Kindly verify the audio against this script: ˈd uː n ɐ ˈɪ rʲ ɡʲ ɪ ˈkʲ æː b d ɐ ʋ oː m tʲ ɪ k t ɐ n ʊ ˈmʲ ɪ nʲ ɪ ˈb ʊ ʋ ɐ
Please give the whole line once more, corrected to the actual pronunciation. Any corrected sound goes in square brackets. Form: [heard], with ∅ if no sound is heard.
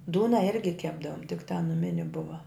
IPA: ˈd uː n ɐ ˈɪ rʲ ɡʲ ɪ ˈkʲ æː b d ɐ ʋ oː m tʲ ɪ k t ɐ n ʊ ˈmʲ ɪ nʲ ɪ ˈb ʊ ʋ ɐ